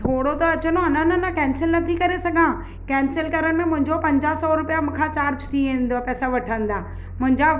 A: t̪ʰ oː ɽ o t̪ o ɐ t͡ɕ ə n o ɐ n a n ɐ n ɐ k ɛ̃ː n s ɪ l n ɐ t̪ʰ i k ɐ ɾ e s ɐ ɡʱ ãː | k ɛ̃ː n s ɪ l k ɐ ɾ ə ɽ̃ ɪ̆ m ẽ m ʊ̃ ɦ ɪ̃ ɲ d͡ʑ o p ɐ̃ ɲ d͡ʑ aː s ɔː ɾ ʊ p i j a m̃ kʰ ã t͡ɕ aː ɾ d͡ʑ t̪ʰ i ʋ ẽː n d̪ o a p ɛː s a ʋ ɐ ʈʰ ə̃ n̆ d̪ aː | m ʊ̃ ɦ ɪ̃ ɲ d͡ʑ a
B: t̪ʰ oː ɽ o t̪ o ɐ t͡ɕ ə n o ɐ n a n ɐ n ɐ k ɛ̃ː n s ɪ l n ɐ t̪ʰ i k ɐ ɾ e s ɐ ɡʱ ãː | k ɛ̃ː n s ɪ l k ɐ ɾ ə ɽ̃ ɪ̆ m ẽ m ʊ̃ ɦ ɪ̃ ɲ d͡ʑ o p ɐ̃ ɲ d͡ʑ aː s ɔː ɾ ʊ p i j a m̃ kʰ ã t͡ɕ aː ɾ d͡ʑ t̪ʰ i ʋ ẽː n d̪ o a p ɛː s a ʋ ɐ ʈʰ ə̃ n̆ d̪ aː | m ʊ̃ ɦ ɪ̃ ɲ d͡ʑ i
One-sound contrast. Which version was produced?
A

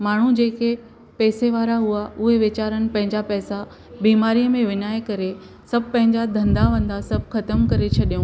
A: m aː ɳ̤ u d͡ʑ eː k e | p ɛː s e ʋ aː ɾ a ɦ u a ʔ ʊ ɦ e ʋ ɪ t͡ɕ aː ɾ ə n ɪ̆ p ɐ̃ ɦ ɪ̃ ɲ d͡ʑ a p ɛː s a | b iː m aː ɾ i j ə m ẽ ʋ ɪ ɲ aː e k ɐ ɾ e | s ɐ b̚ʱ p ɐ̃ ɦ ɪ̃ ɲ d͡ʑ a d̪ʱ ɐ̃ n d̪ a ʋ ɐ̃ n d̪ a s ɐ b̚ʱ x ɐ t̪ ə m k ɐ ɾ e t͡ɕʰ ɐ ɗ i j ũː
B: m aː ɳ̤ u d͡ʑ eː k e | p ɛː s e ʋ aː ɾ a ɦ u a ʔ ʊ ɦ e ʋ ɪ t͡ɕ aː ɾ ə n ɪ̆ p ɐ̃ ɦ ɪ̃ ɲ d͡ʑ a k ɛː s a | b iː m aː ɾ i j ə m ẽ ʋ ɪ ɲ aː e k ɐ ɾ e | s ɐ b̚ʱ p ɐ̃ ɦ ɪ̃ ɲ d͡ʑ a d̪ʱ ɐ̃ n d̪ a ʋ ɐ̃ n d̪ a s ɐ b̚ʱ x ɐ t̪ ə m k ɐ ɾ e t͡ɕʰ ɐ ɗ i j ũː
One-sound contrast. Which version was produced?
A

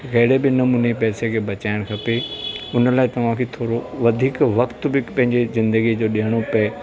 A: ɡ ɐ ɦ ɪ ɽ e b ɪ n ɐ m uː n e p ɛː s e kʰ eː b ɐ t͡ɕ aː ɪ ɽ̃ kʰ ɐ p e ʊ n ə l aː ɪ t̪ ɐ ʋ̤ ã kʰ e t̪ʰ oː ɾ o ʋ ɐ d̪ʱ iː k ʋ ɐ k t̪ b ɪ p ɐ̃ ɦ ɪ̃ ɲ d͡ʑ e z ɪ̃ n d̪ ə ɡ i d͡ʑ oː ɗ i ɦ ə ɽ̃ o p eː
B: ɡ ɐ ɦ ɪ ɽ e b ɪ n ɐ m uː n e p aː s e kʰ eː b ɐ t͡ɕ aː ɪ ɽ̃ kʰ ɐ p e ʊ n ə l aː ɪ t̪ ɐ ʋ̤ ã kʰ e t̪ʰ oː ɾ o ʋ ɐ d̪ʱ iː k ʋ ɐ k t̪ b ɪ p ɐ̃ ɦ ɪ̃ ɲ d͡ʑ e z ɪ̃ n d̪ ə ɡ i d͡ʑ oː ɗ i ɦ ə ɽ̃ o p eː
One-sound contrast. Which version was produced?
A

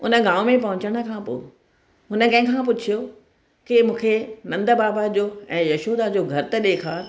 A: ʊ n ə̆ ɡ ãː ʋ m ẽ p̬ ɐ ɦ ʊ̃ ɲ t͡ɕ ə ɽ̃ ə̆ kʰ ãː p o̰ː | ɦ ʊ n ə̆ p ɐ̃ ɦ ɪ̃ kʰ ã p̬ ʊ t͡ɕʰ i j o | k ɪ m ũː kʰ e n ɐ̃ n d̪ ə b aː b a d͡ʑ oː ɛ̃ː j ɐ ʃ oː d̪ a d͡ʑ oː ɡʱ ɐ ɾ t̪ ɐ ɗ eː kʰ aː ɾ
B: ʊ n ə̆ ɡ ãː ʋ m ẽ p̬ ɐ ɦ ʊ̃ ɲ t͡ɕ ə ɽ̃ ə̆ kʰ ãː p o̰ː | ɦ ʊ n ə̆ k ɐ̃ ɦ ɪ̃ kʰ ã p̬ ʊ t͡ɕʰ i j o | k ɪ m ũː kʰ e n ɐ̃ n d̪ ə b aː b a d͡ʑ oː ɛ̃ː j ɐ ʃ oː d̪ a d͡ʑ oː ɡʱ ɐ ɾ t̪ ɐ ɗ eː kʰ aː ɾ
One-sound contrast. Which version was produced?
B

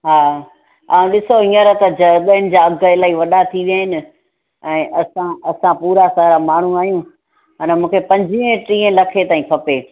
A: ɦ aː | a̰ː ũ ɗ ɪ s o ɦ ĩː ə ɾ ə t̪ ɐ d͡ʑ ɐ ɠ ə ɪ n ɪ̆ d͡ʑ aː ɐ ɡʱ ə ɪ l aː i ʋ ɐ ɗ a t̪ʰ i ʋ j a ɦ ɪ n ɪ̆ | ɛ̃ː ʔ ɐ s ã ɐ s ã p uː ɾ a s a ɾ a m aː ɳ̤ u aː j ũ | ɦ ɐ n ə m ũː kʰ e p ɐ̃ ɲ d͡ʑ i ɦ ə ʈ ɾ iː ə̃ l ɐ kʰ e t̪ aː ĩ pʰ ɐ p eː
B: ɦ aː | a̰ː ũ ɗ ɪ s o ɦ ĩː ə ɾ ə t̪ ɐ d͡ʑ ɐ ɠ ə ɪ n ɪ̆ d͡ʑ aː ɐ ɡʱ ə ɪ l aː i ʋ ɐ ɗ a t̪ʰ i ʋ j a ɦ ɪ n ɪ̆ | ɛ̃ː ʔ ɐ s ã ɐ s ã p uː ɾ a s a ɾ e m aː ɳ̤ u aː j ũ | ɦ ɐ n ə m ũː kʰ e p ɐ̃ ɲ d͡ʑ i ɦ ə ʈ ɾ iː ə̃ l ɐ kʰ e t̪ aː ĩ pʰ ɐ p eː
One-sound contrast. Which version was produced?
A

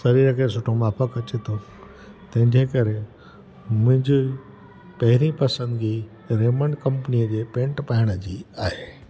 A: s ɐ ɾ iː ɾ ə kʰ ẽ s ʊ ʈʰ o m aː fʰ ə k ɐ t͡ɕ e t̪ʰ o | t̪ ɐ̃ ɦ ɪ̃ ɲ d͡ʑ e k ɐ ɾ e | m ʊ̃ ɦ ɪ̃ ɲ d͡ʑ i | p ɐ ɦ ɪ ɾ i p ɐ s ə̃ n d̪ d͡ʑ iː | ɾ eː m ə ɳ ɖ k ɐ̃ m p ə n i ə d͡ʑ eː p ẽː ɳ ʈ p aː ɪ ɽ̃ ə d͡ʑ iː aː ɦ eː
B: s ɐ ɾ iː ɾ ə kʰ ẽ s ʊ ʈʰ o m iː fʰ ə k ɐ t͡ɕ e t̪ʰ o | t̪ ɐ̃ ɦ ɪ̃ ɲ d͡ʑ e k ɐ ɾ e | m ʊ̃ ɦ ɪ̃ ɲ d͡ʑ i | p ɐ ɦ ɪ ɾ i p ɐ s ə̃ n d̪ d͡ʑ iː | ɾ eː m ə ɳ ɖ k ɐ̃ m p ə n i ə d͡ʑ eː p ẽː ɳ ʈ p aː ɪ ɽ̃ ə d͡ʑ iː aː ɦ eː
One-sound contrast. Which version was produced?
A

